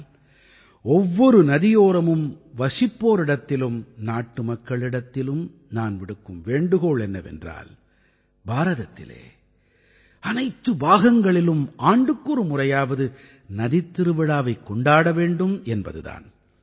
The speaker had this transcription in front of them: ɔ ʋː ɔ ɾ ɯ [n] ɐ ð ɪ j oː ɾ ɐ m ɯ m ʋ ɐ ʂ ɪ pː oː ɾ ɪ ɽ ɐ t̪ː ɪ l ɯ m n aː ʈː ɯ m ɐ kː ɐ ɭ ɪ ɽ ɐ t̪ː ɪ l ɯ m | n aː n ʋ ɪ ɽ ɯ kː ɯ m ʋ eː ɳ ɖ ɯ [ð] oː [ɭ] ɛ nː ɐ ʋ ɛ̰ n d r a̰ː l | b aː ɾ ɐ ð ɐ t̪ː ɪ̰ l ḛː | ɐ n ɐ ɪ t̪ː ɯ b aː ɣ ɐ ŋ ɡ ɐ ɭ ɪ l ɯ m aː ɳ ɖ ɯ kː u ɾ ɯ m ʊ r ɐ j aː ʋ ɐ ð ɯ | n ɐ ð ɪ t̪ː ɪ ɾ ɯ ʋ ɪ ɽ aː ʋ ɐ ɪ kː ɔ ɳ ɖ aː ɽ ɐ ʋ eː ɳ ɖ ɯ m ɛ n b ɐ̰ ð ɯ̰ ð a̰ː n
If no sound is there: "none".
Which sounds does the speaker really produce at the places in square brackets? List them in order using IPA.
n, ɣ, ɭ

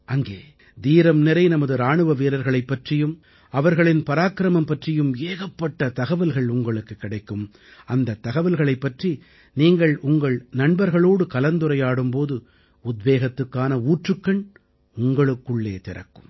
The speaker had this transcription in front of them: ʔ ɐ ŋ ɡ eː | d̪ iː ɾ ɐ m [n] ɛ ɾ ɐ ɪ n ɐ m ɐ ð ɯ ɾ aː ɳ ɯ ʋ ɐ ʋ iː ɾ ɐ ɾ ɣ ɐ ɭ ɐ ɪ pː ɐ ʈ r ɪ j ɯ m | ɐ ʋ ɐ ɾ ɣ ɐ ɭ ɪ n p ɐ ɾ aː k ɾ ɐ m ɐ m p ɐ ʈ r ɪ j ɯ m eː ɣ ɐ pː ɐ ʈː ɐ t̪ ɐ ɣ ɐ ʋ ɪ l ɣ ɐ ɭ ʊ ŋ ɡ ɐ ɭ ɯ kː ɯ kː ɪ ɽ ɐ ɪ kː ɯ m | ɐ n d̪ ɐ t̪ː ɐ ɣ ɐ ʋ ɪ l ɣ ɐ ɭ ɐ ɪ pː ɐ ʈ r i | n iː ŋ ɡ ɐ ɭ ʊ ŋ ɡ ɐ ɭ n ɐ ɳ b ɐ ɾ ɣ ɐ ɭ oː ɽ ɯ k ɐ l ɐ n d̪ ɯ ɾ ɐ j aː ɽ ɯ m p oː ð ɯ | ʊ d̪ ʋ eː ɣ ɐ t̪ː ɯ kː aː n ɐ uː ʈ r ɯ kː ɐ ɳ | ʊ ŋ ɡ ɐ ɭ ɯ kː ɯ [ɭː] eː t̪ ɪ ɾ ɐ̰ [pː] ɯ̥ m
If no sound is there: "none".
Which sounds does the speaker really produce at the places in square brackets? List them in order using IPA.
n, ɭː, kː

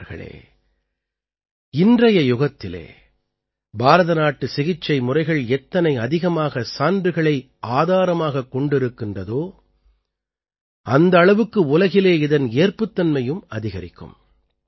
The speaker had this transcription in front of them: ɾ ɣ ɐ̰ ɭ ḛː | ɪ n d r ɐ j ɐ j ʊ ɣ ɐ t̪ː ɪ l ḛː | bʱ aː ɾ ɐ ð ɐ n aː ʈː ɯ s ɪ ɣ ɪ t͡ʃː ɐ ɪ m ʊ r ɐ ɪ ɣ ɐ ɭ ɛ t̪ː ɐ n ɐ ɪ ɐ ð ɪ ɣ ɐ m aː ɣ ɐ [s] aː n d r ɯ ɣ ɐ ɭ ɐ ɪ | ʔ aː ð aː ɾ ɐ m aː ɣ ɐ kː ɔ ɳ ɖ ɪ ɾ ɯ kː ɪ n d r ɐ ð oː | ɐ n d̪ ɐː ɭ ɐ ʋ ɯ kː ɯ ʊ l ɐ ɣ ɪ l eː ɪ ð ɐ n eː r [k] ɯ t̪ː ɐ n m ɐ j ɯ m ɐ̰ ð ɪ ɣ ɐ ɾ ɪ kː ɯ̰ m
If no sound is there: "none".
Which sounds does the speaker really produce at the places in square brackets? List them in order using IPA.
s, p

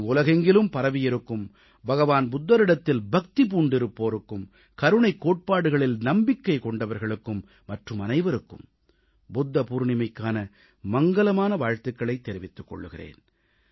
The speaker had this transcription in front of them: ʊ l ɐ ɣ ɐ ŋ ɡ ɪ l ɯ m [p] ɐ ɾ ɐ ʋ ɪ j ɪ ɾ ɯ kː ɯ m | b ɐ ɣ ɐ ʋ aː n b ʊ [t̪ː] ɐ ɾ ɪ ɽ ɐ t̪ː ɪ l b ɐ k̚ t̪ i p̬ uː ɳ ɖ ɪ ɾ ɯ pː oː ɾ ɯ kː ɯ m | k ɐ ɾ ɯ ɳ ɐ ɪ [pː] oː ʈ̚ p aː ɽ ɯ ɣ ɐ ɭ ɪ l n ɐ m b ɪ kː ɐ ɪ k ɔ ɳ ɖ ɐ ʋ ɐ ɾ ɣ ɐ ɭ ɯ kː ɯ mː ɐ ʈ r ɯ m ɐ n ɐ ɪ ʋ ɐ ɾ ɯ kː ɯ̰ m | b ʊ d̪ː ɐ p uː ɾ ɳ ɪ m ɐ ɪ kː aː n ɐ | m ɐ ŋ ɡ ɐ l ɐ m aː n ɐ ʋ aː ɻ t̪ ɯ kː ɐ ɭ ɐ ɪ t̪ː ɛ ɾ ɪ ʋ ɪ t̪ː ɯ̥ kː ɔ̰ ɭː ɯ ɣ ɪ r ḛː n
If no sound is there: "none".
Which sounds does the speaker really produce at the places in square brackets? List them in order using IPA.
p, d̪ː, kː

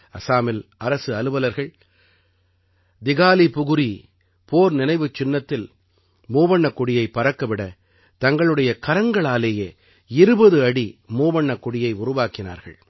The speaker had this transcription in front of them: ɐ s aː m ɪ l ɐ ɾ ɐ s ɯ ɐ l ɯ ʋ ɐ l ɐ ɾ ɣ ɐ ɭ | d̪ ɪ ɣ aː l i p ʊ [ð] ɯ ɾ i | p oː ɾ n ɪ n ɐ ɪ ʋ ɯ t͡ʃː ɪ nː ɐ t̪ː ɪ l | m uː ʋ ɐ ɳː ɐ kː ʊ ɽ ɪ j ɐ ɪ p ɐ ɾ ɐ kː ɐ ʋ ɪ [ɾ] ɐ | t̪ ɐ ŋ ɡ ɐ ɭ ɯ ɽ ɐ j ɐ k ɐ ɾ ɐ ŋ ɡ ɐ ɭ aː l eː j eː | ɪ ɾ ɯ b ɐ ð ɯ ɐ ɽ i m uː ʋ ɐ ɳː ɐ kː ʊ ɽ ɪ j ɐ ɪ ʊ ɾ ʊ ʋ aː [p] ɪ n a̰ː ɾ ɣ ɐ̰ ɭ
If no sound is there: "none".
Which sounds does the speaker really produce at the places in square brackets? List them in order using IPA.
ɣ, ɽ, k

